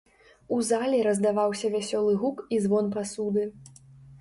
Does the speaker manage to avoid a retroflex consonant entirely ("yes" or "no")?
yes